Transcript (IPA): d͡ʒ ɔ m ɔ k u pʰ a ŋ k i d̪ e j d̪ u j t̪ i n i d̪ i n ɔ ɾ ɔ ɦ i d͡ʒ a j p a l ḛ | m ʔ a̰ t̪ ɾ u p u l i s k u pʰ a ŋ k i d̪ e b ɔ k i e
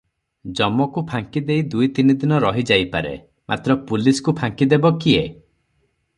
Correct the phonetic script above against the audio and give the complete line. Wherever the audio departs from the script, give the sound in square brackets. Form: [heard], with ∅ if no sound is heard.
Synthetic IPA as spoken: d͡ʒ ɔ m ɔ k u pʰ a ŋ k i d̪ e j d̪ u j t̪ i n i d̪ i n ɔ ɾ ɔ ɦ i d͡ʒ a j p a [ɾ] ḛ | m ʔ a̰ t̪ ɾ [ɔ] p u l i s k u pʰ a ŋ k i d̪ e b ɔ k i e